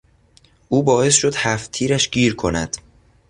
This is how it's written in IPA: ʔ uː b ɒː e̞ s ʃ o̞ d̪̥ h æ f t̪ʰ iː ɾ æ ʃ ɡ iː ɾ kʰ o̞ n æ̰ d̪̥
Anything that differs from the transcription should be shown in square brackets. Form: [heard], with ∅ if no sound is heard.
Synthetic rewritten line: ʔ uː b ɒː e̞ s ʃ o̞ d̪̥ h æ f t̪ʰ iː ɾ æ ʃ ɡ iː ɾ kʰ o̞ n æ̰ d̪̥

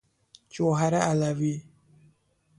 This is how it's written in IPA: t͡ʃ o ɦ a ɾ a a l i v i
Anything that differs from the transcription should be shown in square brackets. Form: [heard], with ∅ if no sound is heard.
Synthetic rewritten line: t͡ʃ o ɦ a ɾ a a l [a] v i

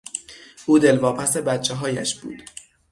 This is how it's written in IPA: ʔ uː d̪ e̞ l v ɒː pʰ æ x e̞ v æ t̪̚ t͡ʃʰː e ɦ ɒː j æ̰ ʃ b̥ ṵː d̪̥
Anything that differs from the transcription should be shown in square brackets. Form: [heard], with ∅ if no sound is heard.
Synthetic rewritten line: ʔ uː d̪ e̞ l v ɒː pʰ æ [s] e̞ [b] æ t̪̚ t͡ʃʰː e ɦ ɒː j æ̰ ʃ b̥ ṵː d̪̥

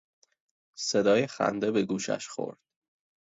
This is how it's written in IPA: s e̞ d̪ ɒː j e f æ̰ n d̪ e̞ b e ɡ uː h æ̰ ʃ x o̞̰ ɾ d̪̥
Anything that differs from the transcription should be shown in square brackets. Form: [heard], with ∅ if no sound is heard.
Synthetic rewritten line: s e̞ d̪ ɒː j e [x] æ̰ n d̪ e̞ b e ɡ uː [ʃ] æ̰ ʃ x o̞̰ ɾ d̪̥

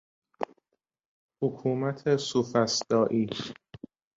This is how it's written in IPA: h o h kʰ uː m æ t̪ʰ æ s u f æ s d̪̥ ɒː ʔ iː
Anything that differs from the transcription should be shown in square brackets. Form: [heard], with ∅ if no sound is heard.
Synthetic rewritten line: h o [∅] kʰ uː m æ t̪ʰ [e] s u f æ s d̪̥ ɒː ʔ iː

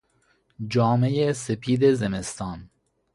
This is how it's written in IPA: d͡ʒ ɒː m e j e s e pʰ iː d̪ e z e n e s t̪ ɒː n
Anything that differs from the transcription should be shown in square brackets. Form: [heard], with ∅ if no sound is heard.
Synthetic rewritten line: d͡ʒ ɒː m e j e s e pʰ iː d̪ e z e [m] e s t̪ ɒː n

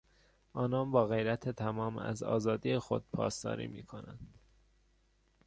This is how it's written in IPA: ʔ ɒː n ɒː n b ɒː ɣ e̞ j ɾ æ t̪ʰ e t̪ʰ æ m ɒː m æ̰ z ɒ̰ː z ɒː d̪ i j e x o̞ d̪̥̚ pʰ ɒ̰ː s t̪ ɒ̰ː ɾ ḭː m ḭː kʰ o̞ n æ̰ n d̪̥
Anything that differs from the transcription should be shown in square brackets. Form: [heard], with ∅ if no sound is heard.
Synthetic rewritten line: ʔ ɒː n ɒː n b ɒː ɣ e̞ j ɾ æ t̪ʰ e t̪ʰ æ m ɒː m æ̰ z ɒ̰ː z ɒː d̪ i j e x o̞ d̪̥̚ pʰ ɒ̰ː s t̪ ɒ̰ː ɾ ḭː m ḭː kʰ o̞ n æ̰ n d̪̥

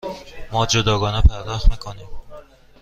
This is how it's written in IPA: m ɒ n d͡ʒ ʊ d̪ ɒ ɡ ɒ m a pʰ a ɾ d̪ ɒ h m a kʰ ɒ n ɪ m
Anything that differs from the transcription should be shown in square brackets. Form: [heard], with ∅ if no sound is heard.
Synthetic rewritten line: m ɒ [∅] d͡ʒ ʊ d̪ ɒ ɡ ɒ [n] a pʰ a ɾ d̪ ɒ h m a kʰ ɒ n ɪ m

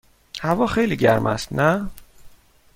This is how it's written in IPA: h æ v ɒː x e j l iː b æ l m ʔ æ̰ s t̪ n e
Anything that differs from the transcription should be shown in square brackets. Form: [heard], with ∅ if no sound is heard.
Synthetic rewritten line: h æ v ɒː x e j l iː [ɟ] æ [ɾ] m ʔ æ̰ s t̪ n [æ]

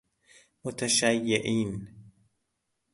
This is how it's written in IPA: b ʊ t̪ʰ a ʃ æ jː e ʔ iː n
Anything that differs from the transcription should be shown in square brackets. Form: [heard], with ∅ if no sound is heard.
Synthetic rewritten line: [m] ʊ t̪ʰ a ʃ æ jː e ʔ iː n

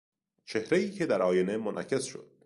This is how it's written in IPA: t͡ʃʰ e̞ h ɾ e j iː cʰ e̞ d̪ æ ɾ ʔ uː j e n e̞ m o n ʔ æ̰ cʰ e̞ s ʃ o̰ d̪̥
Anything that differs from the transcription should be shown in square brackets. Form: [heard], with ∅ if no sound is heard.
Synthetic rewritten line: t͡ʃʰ e̞ h ɾ e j iː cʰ e̞ d̪ æ ɾ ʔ [ɒː] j e n e̞ m o n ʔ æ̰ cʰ e̞ s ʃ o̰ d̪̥

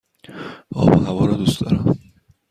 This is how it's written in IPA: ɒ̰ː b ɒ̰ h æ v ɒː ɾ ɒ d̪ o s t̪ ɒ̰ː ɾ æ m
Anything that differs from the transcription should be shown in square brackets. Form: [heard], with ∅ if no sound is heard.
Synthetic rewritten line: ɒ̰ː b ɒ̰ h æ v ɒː ɾ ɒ d̪ [u] s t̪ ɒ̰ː ɾ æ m

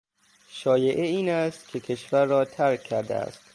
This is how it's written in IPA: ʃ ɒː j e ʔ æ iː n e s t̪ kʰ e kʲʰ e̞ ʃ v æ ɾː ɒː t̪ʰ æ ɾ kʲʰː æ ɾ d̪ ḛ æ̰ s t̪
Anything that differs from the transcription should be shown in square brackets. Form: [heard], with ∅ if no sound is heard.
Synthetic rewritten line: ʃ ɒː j e ʔ [e] iː n [æ] s t̪ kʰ e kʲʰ e̞ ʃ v æ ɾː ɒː t̪ʰ æ ɾ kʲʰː æ ɾ d̪ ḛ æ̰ s t̪

